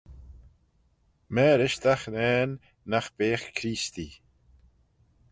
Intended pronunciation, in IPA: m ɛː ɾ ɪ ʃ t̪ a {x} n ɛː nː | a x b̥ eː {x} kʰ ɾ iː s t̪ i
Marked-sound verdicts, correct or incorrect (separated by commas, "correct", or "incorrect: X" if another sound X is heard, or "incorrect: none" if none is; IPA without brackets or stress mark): correct, correct